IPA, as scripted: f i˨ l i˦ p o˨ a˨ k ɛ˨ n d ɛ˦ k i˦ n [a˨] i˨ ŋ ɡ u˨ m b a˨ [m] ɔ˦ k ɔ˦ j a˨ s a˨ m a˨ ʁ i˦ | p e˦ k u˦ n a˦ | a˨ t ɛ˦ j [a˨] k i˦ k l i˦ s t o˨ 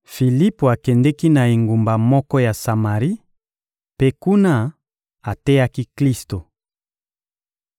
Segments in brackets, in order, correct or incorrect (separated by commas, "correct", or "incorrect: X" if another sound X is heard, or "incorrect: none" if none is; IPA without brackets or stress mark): correct, correct, incorrect: a˦